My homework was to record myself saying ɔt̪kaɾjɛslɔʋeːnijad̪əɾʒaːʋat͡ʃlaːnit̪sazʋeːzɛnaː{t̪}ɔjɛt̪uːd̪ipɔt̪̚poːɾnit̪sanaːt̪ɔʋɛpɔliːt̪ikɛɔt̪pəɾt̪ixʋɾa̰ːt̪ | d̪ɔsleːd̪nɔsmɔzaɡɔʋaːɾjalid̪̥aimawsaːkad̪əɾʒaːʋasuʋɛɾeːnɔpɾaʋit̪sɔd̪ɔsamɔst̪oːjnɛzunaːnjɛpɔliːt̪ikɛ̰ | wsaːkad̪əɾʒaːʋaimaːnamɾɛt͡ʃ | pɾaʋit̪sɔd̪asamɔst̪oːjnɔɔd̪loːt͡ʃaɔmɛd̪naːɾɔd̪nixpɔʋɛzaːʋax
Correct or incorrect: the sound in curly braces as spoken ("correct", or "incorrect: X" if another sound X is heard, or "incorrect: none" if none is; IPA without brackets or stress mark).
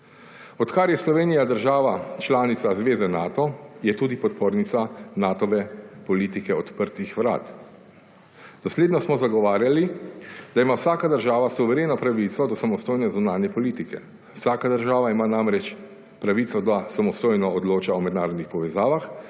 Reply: correct